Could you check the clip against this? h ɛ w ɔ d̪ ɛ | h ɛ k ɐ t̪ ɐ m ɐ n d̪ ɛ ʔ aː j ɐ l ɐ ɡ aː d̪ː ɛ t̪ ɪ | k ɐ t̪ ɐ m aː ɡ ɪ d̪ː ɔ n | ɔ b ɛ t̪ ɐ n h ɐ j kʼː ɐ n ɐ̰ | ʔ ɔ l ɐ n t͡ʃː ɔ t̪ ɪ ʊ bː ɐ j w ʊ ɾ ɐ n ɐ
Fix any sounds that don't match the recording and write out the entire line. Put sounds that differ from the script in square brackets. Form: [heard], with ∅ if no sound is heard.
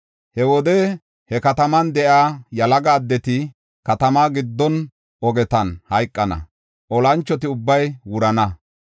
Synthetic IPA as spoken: h ɛ w ɔ d̪ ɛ | h ɛ k ɐ t̪ ɐ m ɐ n d̪ ɛ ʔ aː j ɐ l ɐ ɡ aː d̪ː ɛ t̪ ɪ | k ɐ t̪ ɐ m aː ɡ ɪ d̪ː ɔ n | ɔ [ɡ] ɛ t̪ ɐ n h ɐ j kʼː ɐ n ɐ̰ | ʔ ɔ l ɐ n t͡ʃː ɔ t̪ ɪ ʊ bː ɐ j w ʊ ɾ ɐ n ɐ